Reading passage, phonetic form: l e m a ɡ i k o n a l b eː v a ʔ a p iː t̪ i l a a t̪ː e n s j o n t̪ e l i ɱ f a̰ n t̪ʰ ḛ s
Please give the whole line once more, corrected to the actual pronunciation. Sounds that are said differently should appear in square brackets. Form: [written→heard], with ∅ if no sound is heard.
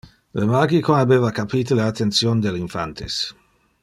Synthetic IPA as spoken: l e m a ɡ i k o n a [l→∅] b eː v a [ʔ→k] a p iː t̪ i l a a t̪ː e n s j o n [t̪→d̪] e l i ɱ f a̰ n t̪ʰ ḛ s